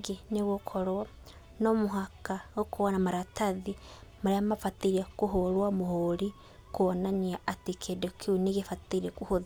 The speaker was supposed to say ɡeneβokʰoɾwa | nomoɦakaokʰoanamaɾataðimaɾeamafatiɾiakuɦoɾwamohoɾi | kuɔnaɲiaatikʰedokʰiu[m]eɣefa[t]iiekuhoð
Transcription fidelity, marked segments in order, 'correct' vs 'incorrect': incorrect, correct

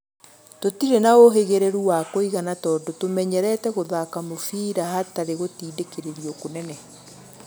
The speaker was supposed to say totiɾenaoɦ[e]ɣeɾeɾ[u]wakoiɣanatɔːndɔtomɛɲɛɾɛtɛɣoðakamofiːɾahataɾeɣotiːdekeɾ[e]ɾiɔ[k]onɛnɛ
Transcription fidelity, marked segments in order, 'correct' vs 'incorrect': correct, correct, correct, correct

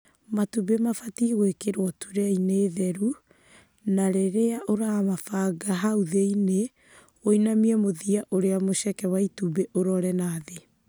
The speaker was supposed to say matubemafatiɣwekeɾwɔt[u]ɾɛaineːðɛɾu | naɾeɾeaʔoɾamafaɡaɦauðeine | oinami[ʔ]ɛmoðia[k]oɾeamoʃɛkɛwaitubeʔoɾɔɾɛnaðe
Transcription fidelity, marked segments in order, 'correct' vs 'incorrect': correct, incorrect, incorrect

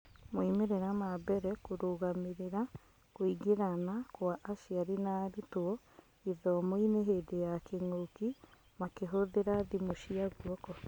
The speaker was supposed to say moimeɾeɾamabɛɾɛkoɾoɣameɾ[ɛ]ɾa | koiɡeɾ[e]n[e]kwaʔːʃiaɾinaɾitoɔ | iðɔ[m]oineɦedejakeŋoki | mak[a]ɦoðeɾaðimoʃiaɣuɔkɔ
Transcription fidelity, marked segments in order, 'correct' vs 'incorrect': incorrect, incorrect, incorrect, correct, incorrect

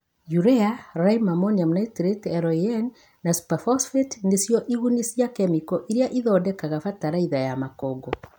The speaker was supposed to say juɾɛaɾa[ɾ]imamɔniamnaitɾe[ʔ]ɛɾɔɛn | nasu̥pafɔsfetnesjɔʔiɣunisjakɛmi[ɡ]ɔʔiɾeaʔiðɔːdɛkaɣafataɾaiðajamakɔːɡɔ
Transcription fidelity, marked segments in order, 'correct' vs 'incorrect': incorrect, incorrect, incorrect

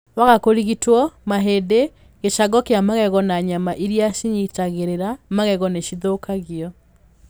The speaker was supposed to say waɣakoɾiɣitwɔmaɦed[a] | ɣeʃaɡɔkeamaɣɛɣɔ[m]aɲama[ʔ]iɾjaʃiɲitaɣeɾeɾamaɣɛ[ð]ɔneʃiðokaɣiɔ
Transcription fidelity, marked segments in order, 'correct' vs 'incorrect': incorrect, incorrect, correct, incorrect

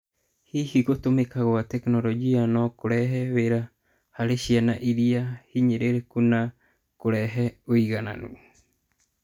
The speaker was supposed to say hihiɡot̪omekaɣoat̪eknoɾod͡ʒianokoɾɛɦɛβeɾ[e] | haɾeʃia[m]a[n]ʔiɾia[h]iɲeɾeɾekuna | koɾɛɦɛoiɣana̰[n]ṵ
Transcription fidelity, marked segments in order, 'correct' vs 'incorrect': incorrect, incorrect, incorrect, correct, correct

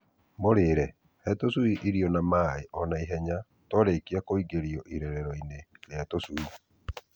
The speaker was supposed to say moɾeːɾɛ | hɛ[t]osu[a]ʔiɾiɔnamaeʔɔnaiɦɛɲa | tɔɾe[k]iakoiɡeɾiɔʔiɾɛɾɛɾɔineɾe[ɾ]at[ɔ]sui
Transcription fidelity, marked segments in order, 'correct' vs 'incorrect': correct, incorrect, correct, incorrect, incorrect

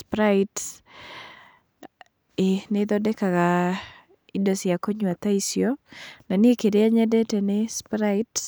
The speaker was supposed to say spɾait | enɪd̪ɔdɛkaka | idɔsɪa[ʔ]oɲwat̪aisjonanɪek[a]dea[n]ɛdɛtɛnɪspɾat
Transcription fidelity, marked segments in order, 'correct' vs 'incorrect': incorrect, incorrect, incorrect

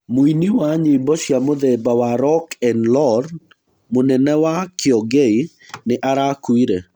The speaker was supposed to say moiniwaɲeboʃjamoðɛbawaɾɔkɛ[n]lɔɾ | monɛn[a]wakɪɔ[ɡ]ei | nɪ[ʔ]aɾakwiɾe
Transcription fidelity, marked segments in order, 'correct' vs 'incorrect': correct, incorrect, correct, correct

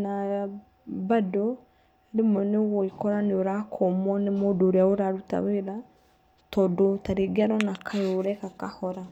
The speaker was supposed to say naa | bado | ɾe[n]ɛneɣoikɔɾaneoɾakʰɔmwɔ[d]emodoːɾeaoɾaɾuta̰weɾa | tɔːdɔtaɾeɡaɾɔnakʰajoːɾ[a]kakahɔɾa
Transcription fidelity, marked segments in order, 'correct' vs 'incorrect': incorrect, incorrect, incorrect

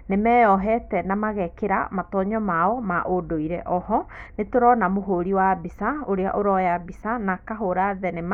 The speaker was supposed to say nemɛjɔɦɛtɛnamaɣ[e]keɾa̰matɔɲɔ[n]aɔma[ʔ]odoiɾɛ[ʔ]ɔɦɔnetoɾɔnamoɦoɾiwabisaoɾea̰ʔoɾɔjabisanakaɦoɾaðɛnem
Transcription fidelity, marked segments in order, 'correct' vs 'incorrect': incorrect, incorrect, correct, correct

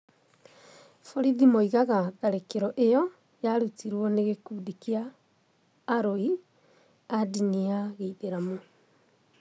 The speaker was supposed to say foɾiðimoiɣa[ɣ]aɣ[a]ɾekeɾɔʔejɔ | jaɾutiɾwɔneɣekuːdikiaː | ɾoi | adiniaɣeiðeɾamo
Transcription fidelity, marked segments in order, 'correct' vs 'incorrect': correct, correct

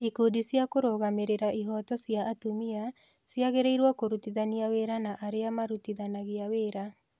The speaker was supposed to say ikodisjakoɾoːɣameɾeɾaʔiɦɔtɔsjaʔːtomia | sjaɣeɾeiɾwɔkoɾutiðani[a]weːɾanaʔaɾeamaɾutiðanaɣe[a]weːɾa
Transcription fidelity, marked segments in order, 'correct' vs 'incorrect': correct, correct

